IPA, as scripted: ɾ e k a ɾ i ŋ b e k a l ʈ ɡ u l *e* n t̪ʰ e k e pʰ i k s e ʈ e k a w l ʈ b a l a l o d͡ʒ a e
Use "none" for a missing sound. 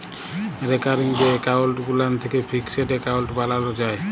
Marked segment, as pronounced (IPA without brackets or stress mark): a